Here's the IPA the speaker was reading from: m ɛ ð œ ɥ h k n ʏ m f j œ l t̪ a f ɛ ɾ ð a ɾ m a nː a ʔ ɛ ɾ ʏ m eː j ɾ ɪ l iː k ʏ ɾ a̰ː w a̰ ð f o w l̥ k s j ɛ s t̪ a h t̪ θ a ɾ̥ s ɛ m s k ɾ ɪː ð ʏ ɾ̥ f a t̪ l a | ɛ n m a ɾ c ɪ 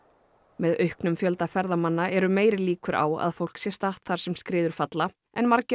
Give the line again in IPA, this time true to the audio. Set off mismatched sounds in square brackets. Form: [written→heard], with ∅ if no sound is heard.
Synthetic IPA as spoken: m ɛ ð œ ɥ h k n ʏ m f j œ l t̪ a f ɛ ɾ ð a [ɾ→∅] m a nː a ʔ ɛ ɾ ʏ m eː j ɾ ɪ l iː k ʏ ɾ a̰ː w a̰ ð f o w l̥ k s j ɛ s t̪ a h t̪ θ a ɾ̥ s ɛ m s k ɾ ɪː ð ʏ ɾ̥ f a t̪ l a | ɛ n m a ɾ c ɪ